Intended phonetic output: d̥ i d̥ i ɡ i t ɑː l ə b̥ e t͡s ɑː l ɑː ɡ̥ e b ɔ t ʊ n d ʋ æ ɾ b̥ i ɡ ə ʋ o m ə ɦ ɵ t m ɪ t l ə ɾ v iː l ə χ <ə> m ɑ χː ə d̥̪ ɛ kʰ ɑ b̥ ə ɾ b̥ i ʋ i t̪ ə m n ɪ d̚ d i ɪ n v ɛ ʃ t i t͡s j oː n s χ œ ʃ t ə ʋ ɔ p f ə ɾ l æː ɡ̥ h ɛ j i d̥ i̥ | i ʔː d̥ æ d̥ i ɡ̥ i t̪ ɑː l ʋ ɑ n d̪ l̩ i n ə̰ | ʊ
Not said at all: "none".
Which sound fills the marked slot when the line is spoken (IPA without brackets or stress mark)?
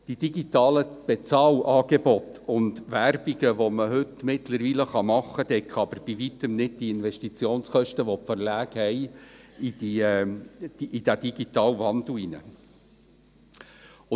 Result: ɑ